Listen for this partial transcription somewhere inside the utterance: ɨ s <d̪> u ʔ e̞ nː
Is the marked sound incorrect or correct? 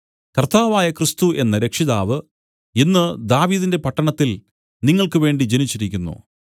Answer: incorrect